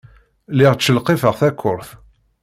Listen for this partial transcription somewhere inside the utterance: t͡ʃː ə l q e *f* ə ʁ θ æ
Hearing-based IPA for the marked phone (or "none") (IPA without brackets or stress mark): f